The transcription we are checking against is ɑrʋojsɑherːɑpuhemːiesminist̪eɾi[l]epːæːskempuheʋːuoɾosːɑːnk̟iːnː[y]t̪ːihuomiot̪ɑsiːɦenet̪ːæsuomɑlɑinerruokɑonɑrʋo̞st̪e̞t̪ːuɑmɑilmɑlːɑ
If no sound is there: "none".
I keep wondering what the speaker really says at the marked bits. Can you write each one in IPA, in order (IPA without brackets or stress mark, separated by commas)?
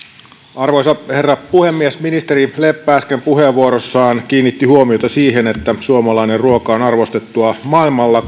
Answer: l, i